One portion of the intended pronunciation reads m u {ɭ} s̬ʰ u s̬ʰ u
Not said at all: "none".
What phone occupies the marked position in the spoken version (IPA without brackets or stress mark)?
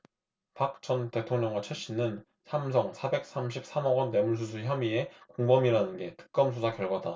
ɭ